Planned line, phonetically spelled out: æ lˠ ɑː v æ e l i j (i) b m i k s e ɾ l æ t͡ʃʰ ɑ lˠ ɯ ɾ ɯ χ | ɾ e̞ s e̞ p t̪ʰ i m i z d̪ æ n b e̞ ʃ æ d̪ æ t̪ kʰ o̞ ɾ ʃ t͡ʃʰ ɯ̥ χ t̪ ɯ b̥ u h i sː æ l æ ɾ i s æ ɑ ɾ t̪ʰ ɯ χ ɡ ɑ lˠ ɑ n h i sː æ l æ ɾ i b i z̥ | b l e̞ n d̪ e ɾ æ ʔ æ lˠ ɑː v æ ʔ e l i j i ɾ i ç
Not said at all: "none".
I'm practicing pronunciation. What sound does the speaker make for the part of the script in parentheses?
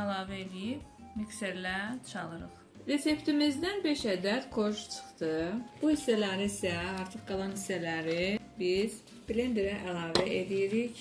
i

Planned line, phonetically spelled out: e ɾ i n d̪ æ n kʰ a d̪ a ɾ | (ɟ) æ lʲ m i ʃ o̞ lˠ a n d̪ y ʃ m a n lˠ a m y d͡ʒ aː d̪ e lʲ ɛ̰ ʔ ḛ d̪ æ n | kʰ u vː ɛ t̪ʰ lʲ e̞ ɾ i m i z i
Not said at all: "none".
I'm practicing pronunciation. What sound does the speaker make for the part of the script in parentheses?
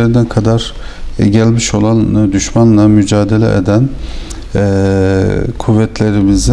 ɟ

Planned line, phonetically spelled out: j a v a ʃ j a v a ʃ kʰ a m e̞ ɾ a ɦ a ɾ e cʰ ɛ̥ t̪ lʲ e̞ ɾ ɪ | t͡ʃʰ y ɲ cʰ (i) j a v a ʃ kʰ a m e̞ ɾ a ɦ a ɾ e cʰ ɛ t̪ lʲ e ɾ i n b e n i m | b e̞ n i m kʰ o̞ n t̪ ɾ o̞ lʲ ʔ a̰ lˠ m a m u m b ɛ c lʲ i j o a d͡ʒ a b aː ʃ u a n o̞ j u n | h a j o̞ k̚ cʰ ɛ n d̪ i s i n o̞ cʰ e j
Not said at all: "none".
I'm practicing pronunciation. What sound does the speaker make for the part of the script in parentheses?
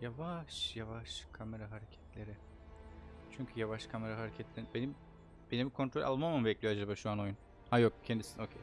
y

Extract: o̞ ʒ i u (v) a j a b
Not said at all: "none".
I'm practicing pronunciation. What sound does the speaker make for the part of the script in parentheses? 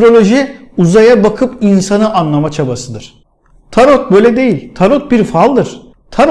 z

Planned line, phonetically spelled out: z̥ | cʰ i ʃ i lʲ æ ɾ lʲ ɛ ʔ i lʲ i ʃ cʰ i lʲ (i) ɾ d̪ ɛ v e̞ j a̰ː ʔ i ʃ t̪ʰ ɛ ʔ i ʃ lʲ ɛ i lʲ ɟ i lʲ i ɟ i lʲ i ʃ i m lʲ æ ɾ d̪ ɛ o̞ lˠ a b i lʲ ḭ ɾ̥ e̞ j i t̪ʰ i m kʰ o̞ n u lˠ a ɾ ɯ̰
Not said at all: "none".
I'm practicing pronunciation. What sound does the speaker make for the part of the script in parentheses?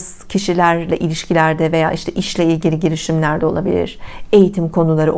æ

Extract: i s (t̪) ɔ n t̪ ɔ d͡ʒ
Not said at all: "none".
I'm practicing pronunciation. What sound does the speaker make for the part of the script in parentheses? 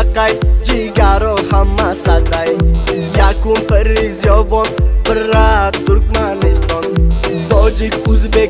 t̪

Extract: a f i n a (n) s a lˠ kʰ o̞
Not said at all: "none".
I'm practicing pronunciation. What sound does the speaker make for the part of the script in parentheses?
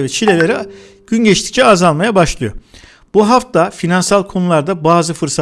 n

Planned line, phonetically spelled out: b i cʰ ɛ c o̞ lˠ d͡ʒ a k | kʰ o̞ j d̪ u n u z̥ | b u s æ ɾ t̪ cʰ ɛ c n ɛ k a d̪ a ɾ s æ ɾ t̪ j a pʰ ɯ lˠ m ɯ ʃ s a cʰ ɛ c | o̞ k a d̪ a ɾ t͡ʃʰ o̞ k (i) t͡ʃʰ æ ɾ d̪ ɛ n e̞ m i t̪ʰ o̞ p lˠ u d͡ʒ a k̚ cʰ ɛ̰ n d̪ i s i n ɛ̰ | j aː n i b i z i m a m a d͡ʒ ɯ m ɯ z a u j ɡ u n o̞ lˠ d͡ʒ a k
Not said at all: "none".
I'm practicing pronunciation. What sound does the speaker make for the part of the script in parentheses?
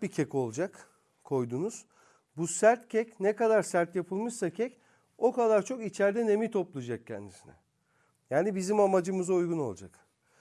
i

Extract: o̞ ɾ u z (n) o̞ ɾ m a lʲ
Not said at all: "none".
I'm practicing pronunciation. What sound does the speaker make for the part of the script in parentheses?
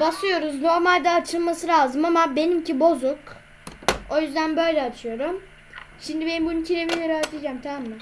n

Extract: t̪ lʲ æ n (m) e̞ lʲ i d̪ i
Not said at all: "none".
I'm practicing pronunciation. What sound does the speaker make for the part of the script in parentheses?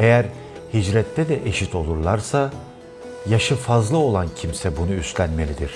m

